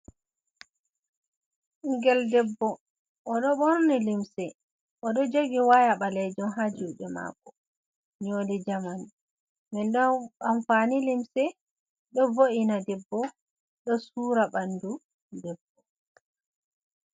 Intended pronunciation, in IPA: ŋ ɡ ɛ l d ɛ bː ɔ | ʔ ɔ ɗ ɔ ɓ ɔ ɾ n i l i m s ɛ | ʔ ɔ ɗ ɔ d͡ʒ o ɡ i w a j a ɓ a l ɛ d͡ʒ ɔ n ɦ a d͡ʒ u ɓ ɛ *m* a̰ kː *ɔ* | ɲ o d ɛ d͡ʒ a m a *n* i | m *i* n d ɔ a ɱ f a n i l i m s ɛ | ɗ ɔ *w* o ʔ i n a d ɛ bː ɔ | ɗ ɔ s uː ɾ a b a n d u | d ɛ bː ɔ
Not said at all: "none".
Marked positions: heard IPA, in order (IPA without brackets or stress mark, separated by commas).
m, ɔ, n, ɛ, v